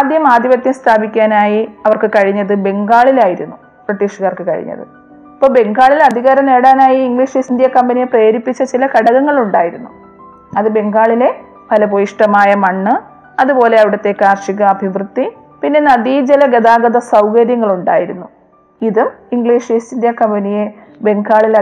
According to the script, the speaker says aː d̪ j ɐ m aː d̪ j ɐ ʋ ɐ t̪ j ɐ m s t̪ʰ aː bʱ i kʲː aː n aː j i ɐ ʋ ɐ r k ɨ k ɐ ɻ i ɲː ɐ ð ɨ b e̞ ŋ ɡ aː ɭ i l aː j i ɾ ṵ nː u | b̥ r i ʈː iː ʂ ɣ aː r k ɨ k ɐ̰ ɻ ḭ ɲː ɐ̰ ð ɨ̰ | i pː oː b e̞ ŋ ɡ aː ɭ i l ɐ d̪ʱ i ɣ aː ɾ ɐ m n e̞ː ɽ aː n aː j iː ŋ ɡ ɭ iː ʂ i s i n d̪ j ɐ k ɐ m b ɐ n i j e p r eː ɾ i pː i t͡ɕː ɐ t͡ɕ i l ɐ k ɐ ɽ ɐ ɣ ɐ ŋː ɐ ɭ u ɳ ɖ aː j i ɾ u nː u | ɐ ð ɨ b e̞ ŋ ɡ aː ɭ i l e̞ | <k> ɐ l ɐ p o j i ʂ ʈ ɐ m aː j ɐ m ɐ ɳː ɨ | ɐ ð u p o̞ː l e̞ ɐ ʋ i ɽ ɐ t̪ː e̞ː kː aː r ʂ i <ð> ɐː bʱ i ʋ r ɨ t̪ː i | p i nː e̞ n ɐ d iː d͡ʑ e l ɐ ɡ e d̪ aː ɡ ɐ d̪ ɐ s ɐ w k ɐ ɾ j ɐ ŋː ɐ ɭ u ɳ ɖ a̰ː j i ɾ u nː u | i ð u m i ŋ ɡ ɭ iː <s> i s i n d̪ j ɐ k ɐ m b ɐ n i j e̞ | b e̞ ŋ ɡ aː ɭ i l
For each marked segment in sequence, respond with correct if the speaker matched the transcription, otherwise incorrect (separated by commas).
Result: incorrect, incorrect, incorrect